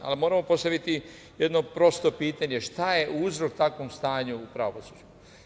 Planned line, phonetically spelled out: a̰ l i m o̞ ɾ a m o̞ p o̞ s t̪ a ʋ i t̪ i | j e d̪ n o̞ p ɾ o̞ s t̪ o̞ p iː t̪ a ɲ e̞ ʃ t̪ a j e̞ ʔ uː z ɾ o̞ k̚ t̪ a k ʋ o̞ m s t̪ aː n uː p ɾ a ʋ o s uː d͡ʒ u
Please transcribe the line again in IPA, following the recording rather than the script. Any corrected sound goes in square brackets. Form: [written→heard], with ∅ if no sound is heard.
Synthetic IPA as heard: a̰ l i m o̞ ɾ a m o̞ p o̞ s t̪ a ʋ i t̪ i | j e d̪ n o̞ p ɾ o̞ s t̪ o̞ p iː t̪ a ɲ e̞ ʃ t̪ a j e̞ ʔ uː z ɾ o̞ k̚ t̪ a k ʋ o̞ m s t̪ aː [n→ɲ] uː p ɾ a ʋ o s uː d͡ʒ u